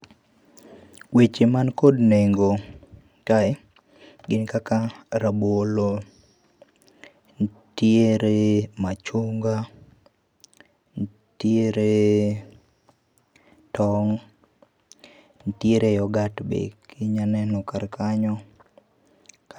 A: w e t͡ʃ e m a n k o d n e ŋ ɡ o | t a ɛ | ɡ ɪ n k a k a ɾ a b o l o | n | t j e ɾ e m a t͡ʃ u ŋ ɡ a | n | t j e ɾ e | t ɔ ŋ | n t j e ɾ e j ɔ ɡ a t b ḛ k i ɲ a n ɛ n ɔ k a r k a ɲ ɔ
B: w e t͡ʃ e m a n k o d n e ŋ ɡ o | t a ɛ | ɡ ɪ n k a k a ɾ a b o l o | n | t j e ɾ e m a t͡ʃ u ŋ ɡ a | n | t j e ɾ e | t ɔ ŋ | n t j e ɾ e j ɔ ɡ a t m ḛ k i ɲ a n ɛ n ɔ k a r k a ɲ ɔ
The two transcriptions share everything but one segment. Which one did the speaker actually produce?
A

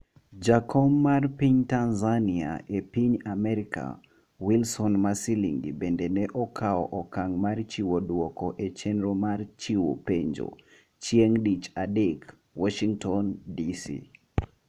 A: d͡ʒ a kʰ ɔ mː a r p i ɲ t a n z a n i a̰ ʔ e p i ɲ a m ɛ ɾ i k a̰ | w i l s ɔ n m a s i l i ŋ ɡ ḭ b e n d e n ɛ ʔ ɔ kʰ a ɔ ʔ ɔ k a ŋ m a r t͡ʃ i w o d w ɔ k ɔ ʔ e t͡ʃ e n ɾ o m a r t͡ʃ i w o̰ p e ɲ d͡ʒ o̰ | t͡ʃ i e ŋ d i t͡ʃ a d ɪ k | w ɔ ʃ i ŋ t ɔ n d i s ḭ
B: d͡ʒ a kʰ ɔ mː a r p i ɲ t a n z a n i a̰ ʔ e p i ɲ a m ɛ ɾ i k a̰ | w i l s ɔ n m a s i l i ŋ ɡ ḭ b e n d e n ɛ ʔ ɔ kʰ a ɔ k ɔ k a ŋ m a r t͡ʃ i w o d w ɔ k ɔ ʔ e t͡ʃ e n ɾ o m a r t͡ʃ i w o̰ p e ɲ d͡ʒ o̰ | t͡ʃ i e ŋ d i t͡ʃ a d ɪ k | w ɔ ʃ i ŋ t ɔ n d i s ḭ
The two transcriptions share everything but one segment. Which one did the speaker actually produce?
A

